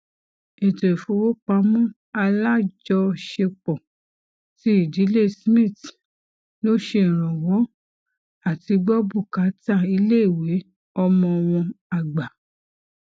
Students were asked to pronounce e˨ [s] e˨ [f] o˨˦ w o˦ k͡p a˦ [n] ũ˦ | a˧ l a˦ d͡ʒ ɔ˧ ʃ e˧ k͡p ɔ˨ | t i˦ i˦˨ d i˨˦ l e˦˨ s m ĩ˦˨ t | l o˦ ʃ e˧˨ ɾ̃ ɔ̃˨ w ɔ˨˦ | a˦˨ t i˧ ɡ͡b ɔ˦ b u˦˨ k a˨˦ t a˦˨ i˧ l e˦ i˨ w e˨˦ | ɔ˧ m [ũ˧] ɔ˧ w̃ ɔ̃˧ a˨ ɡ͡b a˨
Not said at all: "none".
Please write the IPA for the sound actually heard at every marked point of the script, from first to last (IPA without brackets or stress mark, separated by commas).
t, f, m, ɔ̃˧